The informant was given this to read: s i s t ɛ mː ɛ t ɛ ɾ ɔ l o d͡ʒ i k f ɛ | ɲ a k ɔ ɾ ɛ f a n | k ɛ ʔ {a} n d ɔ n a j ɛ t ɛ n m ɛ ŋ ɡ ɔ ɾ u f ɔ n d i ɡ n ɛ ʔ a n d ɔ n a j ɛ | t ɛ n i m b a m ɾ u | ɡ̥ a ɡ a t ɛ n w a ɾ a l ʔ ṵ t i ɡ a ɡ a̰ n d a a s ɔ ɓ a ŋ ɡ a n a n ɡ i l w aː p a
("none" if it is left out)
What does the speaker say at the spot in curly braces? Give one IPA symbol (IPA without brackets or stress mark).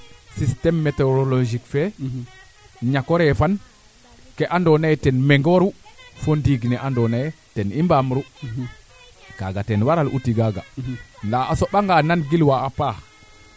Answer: a